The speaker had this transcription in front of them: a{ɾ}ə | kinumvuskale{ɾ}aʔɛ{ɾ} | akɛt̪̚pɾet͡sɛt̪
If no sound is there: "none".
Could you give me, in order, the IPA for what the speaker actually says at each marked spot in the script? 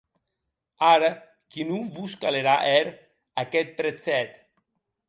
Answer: ɾ, ɾ, ɾ

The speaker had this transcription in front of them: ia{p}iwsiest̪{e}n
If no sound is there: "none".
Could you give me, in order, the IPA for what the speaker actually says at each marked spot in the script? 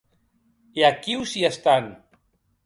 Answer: k, a

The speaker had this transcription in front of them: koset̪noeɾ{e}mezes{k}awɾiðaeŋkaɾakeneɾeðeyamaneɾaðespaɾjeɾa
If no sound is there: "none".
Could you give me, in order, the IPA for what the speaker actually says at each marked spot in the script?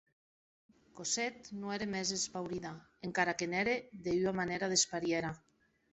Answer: e, p

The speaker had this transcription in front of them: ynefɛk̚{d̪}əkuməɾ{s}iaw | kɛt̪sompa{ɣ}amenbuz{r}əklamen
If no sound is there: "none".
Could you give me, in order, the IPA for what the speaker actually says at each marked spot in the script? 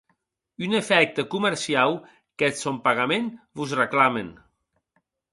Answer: t̪, s, ɣ, r

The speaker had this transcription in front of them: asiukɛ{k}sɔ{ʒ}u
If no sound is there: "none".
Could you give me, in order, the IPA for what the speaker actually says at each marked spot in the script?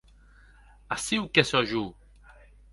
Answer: none, ʒ

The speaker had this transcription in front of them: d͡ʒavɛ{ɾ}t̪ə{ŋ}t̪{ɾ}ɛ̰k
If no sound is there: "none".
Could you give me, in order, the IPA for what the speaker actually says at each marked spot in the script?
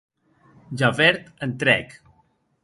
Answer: ɾ, n, ɾ

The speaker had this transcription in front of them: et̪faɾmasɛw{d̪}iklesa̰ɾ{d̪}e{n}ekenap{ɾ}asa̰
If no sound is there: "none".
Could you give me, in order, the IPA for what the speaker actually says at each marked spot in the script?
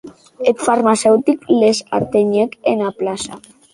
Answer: t̪, t̪, ɲ, l

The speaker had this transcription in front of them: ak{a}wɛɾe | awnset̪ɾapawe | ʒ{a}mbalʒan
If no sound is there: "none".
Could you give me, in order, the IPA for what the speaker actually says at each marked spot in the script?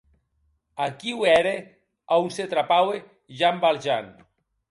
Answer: i, a

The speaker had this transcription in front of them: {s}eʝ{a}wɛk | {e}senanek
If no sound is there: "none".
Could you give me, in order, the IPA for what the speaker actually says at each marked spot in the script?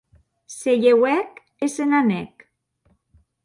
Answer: s, e, e

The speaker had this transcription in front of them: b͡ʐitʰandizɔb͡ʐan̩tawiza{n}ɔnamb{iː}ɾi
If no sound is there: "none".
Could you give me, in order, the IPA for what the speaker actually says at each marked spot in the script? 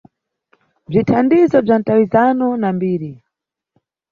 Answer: n, iː

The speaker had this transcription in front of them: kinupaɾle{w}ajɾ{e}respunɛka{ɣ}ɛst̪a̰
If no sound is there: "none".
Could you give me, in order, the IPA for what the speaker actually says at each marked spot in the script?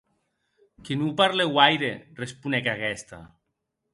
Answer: w, e, ɣ

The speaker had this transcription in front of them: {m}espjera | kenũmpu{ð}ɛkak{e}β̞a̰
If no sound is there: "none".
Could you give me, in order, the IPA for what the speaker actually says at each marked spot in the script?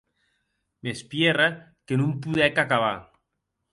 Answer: m, ð, a

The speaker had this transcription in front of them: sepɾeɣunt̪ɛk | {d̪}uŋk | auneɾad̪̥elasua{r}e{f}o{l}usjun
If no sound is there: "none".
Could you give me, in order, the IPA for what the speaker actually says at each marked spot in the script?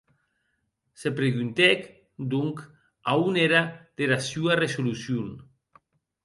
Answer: d̪, r, s, l

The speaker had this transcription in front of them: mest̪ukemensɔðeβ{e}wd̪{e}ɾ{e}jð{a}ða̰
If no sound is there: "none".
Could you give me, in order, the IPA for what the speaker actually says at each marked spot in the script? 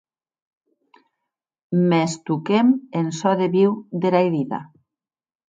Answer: i, e, a, i

